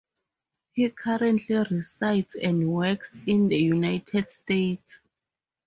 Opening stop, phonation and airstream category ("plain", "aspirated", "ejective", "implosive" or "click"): aspirated